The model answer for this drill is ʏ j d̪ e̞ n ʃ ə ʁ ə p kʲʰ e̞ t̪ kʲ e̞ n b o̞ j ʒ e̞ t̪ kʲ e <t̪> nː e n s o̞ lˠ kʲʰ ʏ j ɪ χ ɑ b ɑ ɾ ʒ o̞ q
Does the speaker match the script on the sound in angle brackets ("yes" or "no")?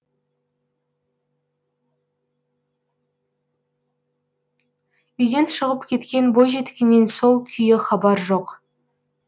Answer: no